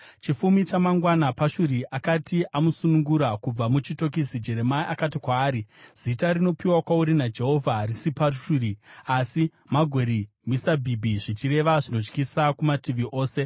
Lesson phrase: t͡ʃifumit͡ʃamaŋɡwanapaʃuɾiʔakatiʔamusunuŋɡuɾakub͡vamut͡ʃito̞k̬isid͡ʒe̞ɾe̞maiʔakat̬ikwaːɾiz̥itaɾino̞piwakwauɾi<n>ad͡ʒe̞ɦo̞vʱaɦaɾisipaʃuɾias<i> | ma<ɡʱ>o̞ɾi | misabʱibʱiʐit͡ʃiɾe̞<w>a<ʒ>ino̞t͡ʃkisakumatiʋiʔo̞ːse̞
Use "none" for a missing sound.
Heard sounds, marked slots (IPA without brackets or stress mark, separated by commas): n, i, ɡʱ, ʋ, ʐ